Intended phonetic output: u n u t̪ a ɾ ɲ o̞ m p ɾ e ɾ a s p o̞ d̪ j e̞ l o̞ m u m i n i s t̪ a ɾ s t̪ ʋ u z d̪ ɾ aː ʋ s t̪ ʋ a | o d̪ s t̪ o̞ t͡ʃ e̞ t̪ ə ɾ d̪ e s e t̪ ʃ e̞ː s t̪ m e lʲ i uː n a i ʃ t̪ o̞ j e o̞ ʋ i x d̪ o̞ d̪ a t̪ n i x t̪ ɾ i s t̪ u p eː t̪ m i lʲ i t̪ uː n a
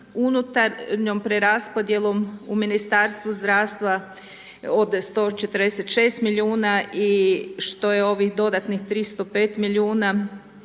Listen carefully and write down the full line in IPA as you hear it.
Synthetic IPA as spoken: u n u t̪ a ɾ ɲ o̞ m p ɾ e ɾ a s p o̞ d̪ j e̞ l o̞ m u m i n i s t̪ a ɾ s t̪ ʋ u z d̪ ɾ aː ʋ s t̪ ʋ a | o d̪ s t̪ o̞ t͡ʃ e̞ t̪ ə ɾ d̪ e s e t̪ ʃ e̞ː s t̪ m i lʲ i uː n a i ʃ t̪ o̞ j e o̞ ʋ i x d̪ o̞ d̪ a t̪ n i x t̪ ɾ i s t̪ o p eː t̪ m i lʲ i uː n a